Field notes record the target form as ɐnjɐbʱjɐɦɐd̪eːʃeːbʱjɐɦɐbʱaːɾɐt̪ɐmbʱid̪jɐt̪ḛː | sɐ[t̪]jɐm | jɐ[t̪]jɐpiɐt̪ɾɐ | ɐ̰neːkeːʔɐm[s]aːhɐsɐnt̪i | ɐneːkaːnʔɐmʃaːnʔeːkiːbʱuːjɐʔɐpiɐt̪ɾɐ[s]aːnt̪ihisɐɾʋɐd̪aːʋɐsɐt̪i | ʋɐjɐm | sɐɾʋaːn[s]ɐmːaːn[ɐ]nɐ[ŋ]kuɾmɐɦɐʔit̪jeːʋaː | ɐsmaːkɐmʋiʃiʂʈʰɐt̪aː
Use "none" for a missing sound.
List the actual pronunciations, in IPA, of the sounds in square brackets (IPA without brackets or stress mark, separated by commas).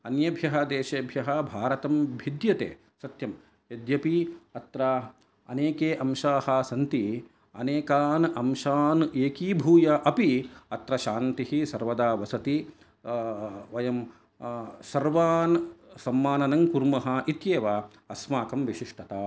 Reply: t̪, d̪, ʃ, ʃ, s, ɐ, ŋ